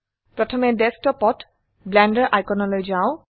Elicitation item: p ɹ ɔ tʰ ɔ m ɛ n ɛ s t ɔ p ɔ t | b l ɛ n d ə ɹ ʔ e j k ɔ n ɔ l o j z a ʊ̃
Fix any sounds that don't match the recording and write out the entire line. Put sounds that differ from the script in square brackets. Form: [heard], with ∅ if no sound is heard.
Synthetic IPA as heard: p ɹ ɔ tʰ ɔ m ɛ [d] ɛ s t ɔ p ɔ t | b l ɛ n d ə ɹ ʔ [a] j k ɔ n ɔ l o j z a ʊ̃